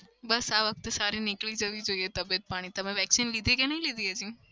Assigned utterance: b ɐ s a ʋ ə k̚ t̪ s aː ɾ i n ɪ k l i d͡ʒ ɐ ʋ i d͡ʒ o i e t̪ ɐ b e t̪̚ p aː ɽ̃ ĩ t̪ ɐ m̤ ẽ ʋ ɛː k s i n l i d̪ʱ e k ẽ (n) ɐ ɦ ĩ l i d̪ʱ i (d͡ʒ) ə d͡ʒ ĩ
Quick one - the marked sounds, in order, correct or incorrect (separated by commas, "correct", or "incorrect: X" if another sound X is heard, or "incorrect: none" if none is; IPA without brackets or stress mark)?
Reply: correct, incorrect: none